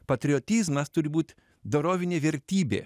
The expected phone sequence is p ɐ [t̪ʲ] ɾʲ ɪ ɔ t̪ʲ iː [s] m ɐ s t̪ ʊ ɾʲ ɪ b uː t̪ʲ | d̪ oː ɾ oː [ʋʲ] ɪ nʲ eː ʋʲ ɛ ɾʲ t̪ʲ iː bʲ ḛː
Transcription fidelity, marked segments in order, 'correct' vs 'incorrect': correct, incorrect: z, correct

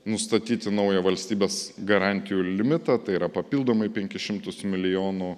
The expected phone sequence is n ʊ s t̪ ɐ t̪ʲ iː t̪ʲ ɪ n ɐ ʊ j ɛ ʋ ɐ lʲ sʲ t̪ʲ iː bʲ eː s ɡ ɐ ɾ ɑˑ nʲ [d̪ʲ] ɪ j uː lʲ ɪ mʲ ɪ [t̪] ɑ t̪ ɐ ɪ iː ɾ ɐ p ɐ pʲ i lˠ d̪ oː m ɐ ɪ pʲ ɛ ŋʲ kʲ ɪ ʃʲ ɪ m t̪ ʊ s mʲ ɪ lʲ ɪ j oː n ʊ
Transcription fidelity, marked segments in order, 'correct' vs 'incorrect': incorrect: t̪ʲ, correct

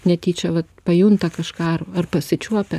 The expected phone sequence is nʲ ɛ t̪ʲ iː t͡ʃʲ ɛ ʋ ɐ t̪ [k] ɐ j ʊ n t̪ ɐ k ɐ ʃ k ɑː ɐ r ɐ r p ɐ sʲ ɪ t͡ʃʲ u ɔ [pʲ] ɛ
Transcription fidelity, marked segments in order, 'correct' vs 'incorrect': incorrect: p, correct

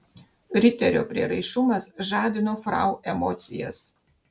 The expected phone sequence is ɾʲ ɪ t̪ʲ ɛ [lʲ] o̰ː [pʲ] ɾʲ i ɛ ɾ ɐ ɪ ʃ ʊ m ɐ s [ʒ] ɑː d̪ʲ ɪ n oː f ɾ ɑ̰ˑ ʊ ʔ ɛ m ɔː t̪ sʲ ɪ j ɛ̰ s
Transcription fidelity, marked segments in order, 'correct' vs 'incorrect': incorrect: ɾʲ, correct, correct

